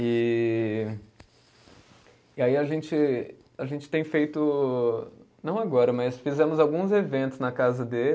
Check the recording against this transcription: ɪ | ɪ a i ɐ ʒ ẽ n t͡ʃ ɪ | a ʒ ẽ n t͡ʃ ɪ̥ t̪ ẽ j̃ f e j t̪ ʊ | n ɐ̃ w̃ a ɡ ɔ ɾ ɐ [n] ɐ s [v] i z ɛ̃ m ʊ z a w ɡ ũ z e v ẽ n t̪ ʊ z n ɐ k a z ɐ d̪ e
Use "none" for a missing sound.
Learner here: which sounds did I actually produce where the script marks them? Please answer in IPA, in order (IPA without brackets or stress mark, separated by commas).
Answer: m, f